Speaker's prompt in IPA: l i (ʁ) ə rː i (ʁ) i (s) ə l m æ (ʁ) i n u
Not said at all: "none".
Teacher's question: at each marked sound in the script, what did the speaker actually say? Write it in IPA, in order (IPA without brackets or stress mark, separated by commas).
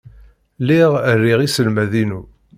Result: ʁ, ʁ, s, ð